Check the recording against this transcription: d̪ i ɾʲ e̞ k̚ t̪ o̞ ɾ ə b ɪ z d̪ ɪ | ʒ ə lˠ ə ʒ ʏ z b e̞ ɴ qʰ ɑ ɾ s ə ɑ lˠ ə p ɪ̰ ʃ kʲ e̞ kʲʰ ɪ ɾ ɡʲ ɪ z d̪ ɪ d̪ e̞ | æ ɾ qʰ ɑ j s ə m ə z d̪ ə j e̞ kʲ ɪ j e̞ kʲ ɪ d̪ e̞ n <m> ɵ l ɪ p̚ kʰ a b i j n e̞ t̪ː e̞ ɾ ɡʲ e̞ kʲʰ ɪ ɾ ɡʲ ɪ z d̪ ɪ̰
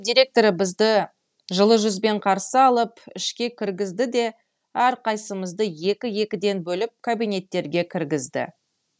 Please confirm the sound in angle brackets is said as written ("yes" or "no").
no